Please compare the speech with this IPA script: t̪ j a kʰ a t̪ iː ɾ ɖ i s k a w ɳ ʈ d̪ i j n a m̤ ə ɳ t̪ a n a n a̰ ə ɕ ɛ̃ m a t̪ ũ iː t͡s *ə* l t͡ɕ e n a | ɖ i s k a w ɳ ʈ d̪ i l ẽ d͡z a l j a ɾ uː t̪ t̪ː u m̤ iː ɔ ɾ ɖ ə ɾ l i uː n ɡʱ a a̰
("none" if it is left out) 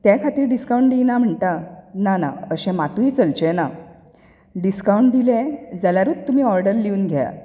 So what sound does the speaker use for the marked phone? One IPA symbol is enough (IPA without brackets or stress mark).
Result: ə